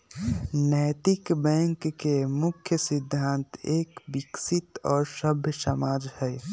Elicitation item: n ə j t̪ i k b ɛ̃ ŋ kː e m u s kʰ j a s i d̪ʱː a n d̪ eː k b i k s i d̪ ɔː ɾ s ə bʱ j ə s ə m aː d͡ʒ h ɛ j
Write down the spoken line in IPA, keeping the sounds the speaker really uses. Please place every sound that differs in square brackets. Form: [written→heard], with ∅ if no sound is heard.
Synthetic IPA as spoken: n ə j t̪ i k b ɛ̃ ŋ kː e m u [s→∅] kʰ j [a→ə] s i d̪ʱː a n [d̪→t̪] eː k b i k s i [d̪→t̪] ɔː ɾ s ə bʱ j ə s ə m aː d͡ʒ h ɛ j